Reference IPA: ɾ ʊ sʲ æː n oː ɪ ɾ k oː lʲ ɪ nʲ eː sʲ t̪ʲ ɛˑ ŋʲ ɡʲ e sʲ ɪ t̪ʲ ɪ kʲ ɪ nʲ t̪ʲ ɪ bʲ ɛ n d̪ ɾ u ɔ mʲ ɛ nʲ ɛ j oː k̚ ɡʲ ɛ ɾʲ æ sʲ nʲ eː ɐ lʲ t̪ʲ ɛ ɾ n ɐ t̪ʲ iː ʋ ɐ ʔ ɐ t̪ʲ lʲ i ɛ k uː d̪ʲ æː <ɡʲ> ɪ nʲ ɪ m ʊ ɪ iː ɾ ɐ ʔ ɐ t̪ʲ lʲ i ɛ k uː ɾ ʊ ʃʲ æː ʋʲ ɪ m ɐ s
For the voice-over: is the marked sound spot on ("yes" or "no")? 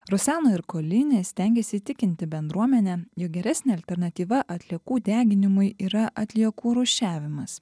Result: yes